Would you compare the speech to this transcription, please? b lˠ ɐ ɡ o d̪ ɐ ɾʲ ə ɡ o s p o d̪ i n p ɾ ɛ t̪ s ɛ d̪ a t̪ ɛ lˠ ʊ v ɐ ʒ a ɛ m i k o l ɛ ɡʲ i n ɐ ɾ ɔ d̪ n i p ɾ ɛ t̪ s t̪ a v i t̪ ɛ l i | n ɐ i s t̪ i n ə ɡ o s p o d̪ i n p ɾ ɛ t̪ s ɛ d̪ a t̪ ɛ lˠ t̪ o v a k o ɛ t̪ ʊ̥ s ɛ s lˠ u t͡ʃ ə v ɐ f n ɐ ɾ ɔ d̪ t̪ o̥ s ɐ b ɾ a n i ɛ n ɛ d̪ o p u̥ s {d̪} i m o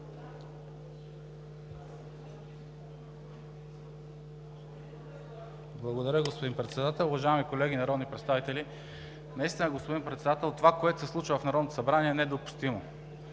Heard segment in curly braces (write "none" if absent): t̪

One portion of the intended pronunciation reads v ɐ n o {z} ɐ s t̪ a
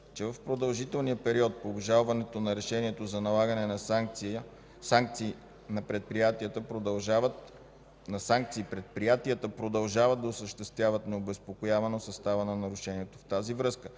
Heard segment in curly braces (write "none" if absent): s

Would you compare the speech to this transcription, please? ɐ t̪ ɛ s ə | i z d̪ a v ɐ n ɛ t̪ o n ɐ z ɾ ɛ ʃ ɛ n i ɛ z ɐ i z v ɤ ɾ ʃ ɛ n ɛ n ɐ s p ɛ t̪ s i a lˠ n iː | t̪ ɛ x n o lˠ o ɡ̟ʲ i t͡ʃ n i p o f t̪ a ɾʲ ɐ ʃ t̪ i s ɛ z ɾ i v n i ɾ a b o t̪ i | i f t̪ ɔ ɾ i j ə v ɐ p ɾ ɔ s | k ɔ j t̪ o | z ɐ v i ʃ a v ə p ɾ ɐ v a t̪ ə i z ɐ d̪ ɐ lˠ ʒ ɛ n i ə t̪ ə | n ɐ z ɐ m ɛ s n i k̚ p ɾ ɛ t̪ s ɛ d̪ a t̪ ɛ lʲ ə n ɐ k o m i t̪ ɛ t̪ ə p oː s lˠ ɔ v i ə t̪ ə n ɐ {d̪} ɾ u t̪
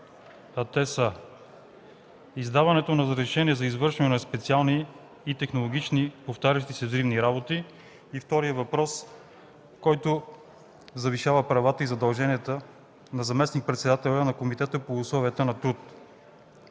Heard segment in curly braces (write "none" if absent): t̪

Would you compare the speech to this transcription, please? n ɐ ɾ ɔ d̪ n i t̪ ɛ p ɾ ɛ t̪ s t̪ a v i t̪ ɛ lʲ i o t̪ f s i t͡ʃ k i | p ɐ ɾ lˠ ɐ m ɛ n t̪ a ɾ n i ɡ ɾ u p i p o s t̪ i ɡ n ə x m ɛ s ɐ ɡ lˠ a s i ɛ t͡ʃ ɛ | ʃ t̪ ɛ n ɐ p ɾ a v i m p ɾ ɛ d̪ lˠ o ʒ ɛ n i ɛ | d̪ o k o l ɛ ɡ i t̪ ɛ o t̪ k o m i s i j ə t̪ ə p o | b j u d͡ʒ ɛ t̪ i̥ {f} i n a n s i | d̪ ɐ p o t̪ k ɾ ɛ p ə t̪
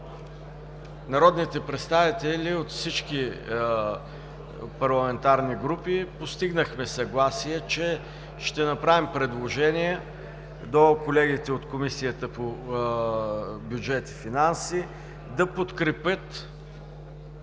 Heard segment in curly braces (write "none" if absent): f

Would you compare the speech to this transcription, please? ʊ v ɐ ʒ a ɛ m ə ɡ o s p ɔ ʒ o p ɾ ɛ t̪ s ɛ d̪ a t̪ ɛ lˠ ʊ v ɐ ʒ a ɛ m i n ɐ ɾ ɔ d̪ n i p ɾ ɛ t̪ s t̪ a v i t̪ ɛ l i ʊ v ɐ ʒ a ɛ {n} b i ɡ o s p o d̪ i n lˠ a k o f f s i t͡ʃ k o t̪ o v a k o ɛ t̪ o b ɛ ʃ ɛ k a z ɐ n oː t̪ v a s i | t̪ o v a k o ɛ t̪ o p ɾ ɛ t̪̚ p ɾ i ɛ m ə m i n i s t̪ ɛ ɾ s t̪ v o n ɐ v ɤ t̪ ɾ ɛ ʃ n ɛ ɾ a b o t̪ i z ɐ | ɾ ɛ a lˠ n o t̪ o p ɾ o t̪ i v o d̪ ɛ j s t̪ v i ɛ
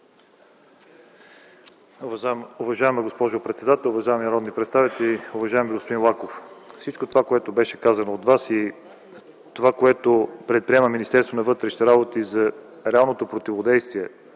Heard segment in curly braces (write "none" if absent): m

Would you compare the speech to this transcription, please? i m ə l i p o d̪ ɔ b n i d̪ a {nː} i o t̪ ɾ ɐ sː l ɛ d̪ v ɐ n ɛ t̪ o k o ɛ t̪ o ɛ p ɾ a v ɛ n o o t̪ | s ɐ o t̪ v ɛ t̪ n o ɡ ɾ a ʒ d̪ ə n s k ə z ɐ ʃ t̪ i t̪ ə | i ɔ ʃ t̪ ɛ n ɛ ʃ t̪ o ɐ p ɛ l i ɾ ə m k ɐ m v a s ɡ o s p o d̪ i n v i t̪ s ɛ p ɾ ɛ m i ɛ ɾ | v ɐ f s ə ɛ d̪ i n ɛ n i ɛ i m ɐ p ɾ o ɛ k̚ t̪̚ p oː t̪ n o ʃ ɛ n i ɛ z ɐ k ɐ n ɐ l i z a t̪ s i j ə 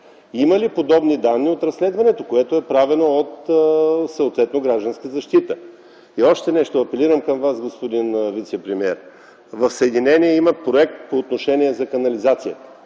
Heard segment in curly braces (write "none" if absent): nː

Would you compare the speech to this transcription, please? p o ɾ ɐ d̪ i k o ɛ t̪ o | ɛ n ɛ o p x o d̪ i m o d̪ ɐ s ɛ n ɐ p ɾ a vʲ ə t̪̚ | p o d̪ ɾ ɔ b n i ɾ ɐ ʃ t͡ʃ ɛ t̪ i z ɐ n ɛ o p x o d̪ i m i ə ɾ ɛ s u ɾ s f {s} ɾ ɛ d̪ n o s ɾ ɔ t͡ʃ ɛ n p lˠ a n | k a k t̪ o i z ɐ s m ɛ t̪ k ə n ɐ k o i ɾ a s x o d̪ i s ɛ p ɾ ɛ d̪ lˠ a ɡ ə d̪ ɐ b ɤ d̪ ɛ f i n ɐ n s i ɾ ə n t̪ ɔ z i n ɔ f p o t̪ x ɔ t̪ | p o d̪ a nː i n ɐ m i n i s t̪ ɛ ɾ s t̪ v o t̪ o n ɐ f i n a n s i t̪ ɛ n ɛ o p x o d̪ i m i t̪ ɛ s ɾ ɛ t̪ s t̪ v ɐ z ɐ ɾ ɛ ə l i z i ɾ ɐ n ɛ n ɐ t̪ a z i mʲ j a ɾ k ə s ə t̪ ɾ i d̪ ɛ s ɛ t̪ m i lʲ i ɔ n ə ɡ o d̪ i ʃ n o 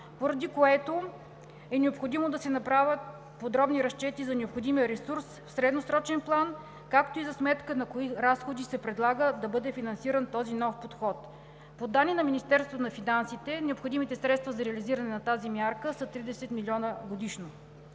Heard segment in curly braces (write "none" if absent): s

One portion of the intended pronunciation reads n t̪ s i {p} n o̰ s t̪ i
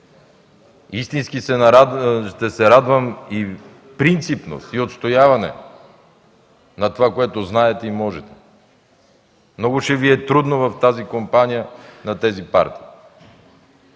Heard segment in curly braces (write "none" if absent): p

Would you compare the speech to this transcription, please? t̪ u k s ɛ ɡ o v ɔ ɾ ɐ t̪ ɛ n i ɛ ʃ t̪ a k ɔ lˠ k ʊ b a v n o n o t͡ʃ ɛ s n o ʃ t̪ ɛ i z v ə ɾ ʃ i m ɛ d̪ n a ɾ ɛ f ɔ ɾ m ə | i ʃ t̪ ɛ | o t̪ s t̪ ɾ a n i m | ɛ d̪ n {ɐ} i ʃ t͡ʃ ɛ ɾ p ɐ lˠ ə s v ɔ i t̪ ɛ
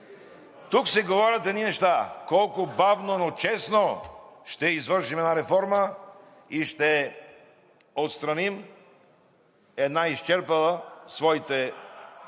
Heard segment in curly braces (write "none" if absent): a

